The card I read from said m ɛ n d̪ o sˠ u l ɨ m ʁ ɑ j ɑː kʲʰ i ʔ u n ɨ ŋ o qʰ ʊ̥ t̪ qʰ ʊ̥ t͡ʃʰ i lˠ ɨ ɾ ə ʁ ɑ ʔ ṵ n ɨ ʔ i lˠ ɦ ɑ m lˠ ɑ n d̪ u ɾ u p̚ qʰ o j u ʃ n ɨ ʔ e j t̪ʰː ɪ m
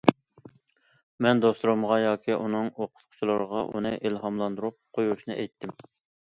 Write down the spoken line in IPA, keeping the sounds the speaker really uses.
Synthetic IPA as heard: m ɛ n d̪ o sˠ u ɾ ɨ m ʁ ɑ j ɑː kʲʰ i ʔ u n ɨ ŋ o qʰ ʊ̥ t̪ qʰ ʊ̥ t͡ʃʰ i lˠ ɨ ɾ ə ʁ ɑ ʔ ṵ n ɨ ʔ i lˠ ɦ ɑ m lˠ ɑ n d̪ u ɾ u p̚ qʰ o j u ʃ n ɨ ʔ ɛ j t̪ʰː ɪ m